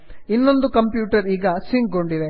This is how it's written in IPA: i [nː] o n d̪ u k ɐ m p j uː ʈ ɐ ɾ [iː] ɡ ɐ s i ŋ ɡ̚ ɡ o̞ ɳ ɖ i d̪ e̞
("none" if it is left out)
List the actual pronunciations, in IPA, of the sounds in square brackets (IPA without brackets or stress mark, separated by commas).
nː, iː